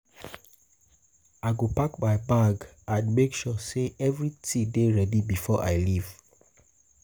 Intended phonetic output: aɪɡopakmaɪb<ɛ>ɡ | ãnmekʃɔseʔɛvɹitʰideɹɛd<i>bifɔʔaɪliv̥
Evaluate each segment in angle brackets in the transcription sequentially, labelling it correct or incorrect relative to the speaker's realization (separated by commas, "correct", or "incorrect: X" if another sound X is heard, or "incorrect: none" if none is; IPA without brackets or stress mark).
incorrect: a, correct